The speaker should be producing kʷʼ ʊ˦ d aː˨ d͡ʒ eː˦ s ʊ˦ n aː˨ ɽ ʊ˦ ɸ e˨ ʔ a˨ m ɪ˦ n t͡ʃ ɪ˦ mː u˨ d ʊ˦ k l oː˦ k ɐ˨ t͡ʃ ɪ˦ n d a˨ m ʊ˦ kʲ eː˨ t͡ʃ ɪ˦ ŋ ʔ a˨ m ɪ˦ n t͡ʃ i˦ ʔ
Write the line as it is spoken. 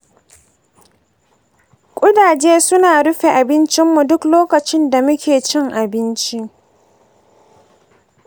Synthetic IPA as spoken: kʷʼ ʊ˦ d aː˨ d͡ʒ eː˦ s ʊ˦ n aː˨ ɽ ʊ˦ ɸ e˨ ʔ a˨ b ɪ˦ n t͡ʃ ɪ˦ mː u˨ d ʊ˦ k l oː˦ k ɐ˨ t͡ʃ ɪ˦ n d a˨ m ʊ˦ kʲ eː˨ t͡ʃ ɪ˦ ŋ ʔ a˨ b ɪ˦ n t͡ʃ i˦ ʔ